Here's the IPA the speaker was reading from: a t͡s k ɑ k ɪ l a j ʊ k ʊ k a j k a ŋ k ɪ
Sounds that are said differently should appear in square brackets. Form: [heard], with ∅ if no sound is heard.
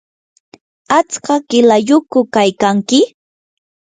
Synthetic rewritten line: a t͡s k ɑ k ɪ l a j ʊ k ʊ k a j k a ŋ k ɪ